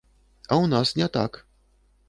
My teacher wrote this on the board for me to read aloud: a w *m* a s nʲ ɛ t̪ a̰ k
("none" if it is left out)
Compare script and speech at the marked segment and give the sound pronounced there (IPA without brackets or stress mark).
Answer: n